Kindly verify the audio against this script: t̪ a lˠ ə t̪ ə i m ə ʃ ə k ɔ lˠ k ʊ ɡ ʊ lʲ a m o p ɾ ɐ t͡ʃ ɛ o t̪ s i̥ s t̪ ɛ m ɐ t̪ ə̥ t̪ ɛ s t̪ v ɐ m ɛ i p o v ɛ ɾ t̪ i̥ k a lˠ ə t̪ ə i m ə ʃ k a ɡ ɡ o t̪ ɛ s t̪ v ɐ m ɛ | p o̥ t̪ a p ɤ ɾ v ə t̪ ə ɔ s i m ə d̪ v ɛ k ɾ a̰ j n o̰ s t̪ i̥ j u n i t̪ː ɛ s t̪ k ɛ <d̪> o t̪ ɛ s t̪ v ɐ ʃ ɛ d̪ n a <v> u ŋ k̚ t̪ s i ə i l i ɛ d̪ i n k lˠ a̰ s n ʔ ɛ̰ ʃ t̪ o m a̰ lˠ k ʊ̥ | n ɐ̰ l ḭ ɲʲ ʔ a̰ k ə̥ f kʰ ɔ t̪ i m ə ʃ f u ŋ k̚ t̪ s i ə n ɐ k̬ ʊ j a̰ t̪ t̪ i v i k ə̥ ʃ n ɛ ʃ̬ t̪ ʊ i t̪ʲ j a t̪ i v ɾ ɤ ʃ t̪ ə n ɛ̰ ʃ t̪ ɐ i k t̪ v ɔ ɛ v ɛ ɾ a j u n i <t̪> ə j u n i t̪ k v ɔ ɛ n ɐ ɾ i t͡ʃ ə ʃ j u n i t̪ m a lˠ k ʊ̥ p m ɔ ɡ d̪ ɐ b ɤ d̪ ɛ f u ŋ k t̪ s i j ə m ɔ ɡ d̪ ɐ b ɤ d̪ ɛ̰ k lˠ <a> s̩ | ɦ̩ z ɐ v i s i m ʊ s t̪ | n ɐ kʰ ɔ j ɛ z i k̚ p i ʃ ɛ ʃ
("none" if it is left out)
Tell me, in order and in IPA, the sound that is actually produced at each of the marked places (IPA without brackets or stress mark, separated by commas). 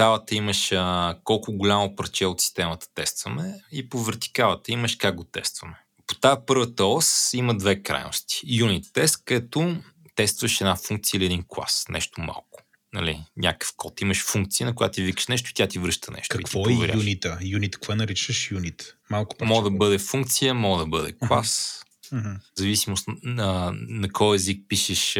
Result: t̪, f, t̪, a